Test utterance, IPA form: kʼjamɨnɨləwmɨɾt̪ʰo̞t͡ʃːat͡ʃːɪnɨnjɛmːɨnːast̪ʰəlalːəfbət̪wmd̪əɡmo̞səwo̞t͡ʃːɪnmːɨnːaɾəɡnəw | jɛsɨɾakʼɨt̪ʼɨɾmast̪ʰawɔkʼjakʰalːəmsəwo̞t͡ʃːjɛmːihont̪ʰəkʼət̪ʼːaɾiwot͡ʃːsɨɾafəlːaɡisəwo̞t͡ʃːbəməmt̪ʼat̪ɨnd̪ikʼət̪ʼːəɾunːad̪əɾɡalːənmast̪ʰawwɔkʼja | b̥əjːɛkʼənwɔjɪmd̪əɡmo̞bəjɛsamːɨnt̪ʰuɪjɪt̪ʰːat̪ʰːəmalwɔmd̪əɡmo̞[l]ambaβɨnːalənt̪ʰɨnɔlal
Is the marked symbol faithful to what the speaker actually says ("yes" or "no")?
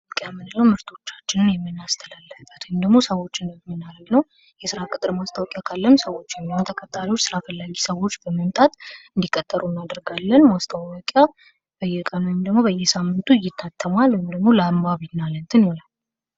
yes